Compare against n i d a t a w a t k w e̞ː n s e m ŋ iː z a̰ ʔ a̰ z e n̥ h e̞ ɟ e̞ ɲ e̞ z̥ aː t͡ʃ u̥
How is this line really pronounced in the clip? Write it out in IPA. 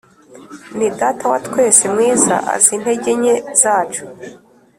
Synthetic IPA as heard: n i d a t a w a t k w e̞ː s e m ŋ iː z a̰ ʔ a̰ z i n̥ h e̞ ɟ e̞ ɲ e̞ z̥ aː t͡ʃ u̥